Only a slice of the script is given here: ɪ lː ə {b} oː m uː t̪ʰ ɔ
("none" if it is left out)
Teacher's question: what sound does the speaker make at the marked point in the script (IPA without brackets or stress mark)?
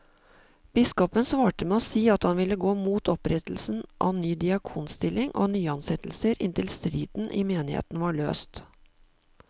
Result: ɡ